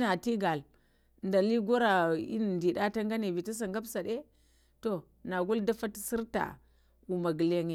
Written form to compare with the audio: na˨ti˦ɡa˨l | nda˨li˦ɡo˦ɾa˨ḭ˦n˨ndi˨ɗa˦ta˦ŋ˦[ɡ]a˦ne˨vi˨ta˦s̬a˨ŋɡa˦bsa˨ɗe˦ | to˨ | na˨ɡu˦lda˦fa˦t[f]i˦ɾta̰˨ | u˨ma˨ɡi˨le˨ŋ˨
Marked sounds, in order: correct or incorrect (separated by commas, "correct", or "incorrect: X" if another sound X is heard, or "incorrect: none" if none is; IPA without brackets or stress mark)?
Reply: correct, incorrect: s